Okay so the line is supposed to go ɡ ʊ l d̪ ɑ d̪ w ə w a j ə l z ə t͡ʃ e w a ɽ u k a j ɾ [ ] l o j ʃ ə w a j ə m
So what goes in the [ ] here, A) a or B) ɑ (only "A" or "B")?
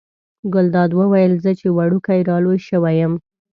B